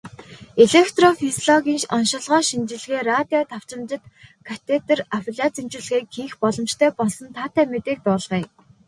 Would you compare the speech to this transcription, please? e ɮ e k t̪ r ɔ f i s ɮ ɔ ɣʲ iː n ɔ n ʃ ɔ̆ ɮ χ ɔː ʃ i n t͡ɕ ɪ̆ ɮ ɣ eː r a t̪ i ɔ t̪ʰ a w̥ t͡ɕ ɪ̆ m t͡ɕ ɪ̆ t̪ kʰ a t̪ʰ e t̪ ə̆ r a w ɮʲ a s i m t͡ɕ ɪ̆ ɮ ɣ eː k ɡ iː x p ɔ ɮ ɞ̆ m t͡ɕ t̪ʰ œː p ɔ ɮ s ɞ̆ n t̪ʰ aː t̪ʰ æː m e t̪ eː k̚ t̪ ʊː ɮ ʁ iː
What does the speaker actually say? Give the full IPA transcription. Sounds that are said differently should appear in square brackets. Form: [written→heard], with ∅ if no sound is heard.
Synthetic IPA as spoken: e ɮ e k t̪ r ɔ f i s ɮ ɔ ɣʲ iː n ɔ n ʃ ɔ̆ ɮ [χ→ʁ] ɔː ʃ i n t͡ɕ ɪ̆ ɮ ɣ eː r a t̪ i ɔ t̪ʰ a w̥ t͡ɕ ɪ̆ m t͡ɕ ɪ̆ t̪ kʰ a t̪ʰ e t̪ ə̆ r a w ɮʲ a [s→t͡s] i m t͡ɕ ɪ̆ ɮ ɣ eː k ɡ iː x p ɔ ɮ ɞ̆ m t͡ɕ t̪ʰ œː p ɔ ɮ s ɞ̆ n t̪ʰ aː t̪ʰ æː m e t̪ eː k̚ t̪ ʊː ɮ ʁ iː